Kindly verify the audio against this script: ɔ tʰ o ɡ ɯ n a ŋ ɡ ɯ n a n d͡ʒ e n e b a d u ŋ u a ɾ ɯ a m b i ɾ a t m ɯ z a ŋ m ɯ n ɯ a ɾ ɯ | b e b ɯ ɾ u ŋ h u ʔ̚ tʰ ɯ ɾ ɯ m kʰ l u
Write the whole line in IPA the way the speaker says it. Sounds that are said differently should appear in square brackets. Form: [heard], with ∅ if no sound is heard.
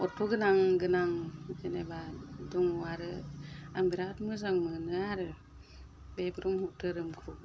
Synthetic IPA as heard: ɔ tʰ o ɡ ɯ n a ŋ ɡ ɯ n a [ŋ] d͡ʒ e n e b a d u ŋ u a ɾ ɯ a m b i ɾ a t m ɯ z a ŋ m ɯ n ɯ a ɾ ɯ | b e b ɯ ɾ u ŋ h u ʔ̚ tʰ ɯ ɾ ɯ m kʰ [ɾ] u